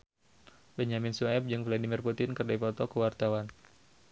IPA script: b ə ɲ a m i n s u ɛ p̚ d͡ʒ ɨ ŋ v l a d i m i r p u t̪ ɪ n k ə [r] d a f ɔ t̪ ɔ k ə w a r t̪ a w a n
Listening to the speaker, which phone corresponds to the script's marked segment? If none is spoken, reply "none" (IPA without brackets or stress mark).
r